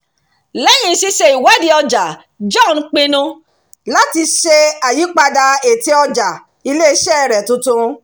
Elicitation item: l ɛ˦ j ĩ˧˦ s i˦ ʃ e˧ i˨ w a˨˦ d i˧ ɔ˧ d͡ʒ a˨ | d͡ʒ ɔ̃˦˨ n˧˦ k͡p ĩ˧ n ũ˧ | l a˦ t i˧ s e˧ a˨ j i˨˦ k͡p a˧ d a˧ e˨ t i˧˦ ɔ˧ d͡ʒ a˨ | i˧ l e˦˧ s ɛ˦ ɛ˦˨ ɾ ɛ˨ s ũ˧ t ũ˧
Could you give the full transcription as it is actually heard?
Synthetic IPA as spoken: l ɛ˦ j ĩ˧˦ s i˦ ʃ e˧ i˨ w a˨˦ d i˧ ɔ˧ d͡ʒ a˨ | d͡ʒ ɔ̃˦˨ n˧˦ k͡p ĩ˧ n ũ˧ | l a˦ t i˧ ʃ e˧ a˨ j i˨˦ k͡p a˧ d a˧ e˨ t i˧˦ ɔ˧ d͡ʒ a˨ | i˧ l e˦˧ ʃ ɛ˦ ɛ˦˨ ɾ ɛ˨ t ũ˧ t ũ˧